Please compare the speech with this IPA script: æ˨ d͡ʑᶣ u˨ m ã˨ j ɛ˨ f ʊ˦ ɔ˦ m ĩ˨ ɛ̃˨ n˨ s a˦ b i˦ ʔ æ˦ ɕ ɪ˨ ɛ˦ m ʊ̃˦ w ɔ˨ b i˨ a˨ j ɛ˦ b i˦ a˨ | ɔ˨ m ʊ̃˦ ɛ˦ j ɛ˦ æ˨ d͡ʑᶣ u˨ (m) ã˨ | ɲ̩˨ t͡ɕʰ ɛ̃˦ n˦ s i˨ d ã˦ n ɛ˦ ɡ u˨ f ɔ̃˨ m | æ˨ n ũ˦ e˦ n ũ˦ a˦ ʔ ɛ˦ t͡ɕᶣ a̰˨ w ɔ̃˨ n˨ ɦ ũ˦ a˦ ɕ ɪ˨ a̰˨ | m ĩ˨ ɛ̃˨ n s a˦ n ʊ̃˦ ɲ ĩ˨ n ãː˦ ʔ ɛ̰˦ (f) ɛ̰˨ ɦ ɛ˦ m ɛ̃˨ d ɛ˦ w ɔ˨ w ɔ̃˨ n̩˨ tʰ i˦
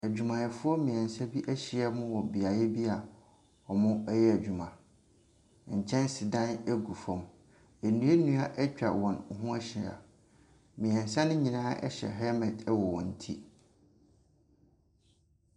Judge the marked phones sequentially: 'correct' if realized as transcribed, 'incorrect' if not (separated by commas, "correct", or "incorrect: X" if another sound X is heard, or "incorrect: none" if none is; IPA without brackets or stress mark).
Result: correct, incorrect: ɕ